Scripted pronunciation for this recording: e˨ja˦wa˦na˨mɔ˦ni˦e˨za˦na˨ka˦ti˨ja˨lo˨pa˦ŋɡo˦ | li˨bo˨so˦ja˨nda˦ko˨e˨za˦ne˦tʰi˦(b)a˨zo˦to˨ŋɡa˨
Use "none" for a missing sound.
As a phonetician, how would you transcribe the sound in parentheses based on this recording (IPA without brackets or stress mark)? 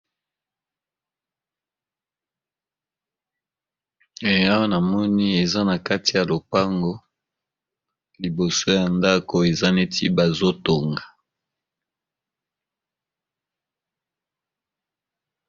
b